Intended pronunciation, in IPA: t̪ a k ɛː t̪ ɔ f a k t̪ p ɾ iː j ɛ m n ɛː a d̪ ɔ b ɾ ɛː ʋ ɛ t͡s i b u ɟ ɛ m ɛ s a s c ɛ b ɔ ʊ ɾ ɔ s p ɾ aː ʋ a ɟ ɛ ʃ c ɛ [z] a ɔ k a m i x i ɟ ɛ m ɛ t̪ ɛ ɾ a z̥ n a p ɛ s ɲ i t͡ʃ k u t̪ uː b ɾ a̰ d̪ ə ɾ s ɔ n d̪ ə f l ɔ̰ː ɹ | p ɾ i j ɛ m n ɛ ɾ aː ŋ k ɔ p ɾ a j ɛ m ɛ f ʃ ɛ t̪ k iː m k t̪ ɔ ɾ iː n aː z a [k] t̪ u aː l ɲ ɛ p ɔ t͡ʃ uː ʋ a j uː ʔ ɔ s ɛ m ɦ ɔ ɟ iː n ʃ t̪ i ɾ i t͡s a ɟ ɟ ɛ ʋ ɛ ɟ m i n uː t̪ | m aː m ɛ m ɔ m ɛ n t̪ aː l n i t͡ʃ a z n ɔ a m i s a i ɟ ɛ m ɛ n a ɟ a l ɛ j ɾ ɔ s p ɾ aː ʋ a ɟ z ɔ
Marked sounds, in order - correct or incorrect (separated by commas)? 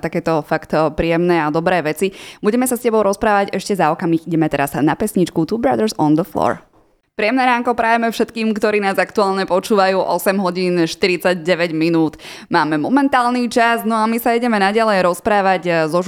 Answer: correct, correct